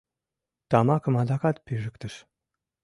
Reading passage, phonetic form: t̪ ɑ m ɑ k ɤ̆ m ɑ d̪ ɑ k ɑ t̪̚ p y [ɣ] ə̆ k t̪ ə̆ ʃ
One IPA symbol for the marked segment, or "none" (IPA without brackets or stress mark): ʒ